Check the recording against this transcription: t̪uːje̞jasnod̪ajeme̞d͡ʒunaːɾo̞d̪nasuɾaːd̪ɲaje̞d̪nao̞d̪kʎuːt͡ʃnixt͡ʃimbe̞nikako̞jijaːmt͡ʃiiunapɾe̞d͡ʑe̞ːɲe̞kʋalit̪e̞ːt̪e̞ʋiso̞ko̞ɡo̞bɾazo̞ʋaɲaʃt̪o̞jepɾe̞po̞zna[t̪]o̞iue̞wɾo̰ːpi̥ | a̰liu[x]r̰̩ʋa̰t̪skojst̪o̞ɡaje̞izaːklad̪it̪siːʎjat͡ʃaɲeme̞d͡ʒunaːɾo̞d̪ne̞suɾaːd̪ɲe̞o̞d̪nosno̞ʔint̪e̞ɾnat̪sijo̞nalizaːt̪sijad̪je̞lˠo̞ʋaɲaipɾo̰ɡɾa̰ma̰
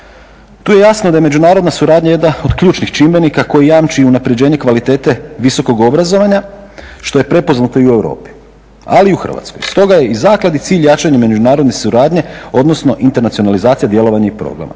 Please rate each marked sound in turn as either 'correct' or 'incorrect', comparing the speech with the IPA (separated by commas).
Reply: correct, correct